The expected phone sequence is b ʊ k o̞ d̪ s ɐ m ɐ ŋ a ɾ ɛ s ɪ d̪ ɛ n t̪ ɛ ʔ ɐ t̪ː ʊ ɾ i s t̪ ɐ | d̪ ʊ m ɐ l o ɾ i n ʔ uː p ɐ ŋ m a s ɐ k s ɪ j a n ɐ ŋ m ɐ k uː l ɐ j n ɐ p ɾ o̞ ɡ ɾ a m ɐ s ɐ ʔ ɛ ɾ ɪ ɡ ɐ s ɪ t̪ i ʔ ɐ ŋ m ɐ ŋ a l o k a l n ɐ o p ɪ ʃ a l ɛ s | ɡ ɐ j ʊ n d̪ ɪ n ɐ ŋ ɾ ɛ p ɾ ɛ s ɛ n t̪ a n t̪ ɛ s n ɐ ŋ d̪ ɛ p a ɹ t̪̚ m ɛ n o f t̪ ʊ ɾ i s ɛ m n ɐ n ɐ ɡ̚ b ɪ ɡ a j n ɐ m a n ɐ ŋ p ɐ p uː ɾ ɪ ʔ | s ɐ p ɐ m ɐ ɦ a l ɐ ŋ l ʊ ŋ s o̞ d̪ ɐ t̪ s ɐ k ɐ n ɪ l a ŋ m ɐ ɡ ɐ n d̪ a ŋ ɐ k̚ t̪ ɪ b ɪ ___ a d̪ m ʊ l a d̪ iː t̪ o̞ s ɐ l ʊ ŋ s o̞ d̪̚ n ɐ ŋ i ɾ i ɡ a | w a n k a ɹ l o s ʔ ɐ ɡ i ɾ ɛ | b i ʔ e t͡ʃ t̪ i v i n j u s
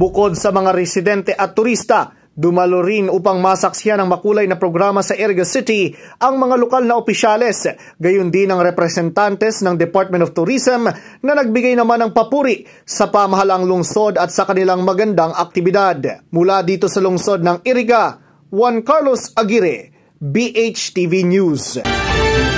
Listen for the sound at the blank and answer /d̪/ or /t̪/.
d̪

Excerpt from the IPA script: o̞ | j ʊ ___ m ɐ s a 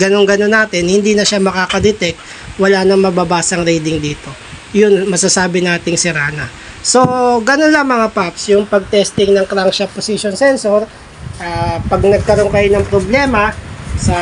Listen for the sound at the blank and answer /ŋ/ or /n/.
n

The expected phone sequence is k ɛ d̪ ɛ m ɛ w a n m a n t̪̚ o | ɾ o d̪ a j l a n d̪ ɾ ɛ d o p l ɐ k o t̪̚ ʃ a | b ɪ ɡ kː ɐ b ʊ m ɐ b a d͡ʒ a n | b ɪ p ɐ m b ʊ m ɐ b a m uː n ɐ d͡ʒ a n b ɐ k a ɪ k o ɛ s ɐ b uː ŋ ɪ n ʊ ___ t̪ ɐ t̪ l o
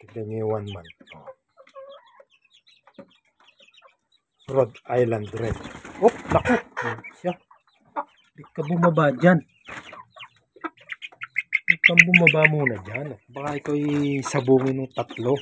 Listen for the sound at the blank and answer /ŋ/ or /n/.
ŋ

